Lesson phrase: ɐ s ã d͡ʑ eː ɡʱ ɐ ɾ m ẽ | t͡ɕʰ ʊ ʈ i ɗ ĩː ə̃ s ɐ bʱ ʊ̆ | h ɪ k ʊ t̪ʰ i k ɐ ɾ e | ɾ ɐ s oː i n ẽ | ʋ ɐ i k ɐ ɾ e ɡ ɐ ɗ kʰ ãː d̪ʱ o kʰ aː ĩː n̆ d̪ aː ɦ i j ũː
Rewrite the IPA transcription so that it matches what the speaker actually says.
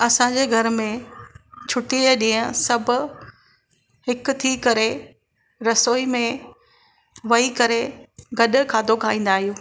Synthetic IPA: ɐ s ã d͡ʑ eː ɡʱ ɐ ɾ m ẽ | t͡ɕʰ ʊ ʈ i ɗ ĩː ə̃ s ɐ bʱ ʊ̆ | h ɪ k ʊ t̪ʰ i k ɐ ɾ e | ɾ ɐ s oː i m ẽ | ʋ ɐ i k ɐ ɾ e ɡ ɐ ɗ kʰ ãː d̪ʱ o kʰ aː ĩː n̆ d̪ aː ɦ i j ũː